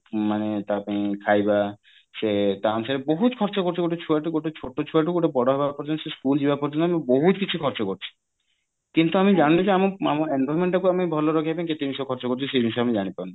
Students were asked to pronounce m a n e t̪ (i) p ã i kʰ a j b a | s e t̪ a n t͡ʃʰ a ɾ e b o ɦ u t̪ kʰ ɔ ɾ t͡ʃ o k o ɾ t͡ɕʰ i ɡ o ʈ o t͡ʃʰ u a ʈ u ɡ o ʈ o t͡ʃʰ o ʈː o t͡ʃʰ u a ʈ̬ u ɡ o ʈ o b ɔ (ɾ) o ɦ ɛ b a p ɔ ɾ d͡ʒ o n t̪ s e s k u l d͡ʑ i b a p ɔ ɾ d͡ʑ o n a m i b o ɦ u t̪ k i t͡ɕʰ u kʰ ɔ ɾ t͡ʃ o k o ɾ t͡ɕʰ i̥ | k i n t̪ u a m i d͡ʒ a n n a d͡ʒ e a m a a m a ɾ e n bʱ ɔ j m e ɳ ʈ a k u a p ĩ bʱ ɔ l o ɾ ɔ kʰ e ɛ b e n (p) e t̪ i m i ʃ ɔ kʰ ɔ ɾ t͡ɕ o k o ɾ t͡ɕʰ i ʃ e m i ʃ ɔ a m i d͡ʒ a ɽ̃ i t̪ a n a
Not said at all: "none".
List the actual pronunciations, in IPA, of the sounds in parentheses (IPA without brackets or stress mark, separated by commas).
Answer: a, ɽ, k